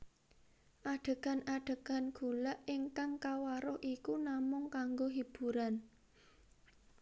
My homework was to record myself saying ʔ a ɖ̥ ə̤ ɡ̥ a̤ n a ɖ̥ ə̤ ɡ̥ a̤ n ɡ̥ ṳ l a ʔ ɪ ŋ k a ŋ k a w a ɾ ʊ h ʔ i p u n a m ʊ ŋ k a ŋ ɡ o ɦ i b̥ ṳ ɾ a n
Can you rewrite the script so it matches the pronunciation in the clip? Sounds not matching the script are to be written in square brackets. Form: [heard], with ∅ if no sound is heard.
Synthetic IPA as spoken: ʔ a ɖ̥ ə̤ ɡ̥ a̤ n a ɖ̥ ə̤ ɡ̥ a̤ n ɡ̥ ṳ l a ʔ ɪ ŋ k a ŋ k a w a ɾ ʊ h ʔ i [k] u n a m ʊ ŋ k a ŋ ɡ o ɦ i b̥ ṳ ɾ a n